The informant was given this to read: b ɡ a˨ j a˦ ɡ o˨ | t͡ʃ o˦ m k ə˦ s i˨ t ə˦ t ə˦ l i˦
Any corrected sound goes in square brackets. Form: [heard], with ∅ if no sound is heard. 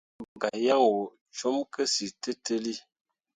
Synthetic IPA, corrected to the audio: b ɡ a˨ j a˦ [ŋ] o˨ | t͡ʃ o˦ m k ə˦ s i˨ t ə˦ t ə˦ l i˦